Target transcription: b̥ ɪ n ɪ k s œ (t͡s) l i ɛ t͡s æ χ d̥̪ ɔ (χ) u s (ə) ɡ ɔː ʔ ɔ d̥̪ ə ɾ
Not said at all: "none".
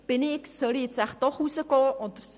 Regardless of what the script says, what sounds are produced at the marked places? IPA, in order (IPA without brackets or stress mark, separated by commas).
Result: none, χ, ə